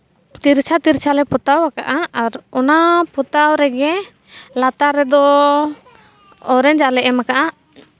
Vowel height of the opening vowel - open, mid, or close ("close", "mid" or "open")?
close